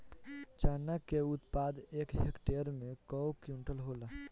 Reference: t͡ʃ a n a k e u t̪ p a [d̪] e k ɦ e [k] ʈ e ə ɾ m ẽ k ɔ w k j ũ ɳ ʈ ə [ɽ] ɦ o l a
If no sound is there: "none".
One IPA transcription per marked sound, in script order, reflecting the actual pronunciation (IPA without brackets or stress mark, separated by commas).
d̪, k, l